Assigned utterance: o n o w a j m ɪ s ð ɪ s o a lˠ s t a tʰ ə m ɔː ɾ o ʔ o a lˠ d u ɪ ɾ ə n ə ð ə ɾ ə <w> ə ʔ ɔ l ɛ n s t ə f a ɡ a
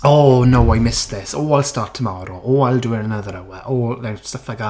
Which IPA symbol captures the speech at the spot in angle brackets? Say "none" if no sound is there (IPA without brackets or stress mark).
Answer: w